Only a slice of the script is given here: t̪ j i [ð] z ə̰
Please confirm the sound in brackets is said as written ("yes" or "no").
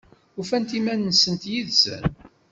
yes